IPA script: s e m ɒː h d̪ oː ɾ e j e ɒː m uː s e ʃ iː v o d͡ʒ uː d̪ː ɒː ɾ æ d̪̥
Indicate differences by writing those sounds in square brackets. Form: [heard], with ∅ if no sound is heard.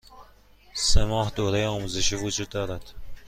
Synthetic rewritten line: s e m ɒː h d̪ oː ɾ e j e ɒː m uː [z] e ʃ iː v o d͡ʒ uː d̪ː ɒː ɾ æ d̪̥